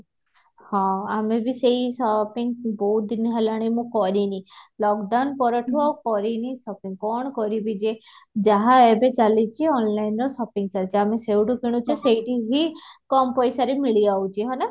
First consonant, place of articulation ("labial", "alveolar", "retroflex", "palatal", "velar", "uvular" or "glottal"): glottal